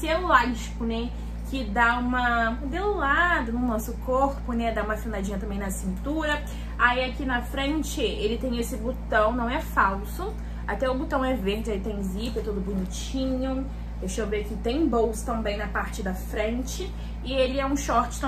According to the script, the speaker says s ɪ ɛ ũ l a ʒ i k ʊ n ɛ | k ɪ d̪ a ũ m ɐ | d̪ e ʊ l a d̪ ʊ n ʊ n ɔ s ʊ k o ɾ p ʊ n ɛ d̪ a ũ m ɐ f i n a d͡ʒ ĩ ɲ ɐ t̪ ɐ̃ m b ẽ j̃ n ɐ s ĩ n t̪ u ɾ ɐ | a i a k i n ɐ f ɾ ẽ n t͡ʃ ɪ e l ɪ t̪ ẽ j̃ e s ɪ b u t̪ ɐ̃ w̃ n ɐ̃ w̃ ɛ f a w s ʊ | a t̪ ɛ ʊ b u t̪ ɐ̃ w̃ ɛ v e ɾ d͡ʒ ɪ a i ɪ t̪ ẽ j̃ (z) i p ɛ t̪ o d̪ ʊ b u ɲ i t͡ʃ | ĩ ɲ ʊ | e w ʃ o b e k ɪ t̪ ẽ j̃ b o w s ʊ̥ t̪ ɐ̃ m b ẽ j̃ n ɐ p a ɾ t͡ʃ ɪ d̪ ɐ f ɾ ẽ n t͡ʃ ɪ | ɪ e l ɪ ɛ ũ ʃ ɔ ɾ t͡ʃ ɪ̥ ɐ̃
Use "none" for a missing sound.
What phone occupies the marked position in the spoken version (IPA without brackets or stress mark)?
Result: z